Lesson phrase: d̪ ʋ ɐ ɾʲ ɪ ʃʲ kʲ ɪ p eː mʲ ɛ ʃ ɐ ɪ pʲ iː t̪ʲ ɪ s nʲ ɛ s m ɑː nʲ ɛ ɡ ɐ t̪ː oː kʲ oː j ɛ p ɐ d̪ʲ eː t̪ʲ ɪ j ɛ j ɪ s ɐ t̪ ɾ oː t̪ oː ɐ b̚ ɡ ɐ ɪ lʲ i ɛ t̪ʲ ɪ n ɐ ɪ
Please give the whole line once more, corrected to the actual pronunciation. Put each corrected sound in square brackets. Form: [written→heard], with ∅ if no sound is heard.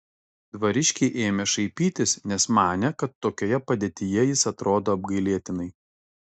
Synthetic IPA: d̪ ʋ ɐ ɾʲ ɪ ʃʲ kʲ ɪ [p→ʔ] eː mʲ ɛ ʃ ɐ ɪ pʲ iː t̪ʲ ɪ s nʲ ɛ s m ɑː nʲ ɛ [ɡ→k] ɐ t̪ː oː kʲ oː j ɛ p ɐ d̪ʲ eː t̪ʲ ɪ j ɛ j ɪ s ɐ t̪ ɾ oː [t̪→d̪] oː ɐ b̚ ɡ ɐ ɪ lʲ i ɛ t̪ʲ ɪ n ɐ ɪ